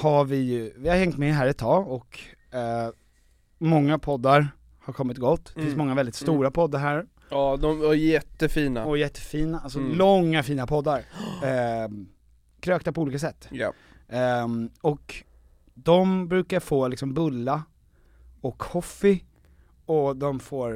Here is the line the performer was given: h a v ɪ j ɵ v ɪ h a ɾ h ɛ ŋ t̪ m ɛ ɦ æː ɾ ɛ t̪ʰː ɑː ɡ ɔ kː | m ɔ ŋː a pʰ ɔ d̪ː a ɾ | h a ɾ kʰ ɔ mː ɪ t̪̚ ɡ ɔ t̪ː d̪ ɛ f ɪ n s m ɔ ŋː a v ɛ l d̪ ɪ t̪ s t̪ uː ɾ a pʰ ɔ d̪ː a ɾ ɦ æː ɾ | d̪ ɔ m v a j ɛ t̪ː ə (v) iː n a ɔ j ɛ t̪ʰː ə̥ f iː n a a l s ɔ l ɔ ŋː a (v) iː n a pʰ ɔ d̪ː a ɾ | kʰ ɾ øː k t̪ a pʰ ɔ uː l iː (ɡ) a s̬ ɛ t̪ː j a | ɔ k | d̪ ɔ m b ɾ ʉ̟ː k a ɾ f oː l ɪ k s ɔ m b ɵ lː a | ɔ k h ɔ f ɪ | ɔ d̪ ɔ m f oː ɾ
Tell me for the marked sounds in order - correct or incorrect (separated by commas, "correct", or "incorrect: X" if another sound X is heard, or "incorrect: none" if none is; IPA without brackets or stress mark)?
incorrect: f, incorrect: f, incorrect: k